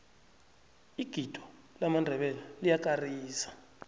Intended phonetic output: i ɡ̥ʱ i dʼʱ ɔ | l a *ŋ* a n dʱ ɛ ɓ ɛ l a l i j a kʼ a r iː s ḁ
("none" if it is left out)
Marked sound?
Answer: m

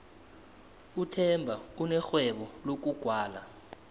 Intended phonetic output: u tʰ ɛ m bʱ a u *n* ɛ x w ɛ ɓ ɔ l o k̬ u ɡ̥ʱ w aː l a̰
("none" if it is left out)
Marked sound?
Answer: n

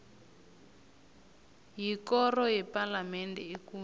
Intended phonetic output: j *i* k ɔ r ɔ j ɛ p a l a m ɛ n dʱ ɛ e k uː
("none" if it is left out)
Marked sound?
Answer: i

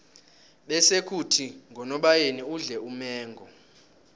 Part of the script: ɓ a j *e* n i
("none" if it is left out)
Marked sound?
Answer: e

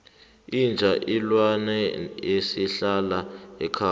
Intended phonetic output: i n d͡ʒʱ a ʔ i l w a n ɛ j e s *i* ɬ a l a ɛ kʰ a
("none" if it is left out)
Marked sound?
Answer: i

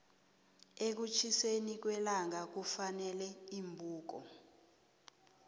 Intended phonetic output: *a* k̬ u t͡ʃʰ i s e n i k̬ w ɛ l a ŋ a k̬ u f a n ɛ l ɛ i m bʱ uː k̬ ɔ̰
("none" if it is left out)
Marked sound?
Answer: e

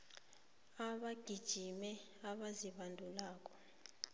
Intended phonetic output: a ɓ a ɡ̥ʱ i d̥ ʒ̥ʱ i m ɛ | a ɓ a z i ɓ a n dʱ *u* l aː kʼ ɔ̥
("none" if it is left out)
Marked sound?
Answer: u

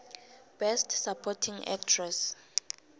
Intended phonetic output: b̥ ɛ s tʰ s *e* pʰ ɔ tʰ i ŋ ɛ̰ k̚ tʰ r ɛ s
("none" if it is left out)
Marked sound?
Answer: a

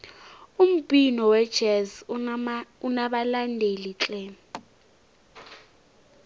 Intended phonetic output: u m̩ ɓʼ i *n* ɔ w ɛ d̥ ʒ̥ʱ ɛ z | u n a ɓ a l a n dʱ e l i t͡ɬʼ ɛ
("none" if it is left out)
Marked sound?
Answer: n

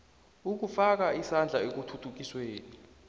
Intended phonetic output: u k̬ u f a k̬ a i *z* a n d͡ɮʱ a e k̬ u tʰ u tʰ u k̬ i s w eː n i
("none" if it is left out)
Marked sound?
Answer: s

